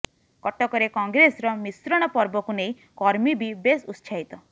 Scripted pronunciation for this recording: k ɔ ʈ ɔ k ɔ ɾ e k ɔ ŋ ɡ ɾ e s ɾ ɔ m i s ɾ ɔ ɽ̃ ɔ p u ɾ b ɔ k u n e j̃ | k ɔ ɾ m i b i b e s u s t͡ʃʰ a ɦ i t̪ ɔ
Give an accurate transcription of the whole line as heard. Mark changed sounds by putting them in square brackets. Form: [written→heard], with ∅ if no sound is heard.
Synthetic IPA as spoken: k ɔ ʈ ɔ k ɔ ɾ e k ɔ ŋ ɡ ɾ e s ɾ ɔ m i s ɾ ɔ ɽ̃ ɔ p [u→ɔ] ɾ b ɔ k u n e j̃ | k ɔ ɾ m i b i b e s u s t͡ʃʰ a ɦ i t̪ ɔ